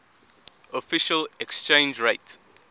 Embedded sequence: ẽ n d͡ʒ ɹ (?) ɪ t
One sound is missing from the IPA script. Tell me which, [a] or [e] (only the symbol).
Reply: e